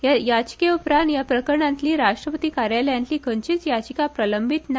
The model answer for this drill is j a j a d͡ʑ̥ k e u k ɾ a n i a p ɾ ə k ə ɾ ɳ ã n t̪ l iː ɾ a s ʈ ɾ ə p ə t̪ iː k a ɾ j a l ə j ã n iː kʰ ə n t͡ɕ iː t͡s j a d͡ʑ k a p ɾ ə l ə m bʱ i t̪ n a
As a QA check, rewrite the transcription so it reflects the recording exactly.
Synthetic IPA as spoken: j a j a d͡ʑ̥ k e u p ɾ a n j a p ɾ ə k ə ɾ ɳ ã n t̪ l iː ɾ a ʂ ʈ ɾ ə p ə t̪ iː k a ɾ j a l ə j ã n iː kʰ ə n t͡ɕ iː t͡s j a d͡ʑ k a p ɾ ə l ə m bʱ i t̪ n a